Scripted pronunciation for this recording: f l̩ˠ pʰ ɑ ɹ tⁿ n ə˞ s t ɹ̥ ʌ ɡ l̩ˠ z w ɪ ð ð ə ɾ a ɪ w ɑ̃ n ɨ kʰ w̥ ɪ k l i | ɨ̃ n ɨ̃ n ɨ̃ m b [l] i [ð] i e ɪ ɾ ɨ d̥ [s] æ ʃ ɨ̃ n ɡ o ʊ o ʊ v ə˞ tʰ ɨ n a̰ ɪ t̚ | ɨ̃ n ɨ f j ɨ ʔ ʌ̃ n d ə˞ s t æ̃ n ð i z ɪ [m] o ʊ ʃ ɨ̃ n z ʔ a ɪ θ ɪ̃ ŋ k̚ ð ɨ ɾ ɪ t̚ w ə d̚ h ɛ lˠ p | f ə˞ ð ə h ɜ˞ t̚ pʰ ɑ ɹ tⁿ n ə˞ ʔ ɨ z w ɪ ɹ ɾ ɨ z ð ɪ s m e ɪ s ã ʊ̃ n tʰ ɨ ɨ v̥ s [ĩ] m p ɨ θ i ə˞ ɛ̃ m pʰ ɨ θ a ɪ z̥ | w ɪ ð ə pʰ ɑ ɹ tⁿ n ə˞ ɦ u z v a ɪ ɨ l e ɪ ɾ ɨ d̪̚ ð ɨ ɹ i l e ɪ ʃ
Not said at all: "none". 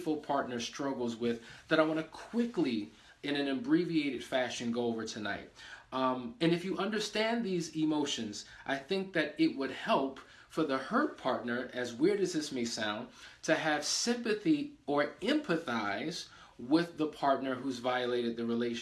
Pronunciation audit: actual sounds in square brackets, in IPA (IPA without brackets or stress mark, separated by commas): ɹ, v, f, m, ɪ̃